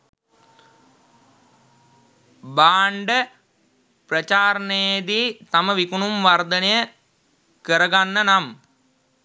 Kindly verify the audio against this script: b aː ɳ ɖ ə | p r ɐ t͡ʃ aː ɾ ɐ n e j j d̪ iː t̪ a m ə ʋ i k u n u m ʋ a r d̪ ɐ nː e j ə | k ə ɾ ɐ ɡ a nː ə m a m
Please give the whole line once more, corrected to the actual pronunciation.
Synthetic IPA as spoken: b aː ɳ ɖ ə | p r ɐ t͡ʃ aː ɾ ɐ n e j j d̪ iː t̪ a m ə ʋ i k u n u m ʋ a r d̪ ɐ n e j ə | k ə ɾ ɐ ɡ a nː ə n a m